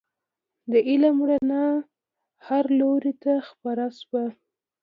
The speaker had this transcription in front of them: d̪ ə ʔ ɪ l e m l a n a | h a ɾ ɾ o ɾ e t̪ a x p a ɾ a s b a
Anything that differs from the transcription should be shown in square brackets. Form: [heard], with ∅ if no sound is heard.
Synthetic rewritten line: d̪ ə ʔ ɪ l [a] m [ɽ] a n a | h a ɾ [l] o ɾ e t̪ a x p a ɾ a s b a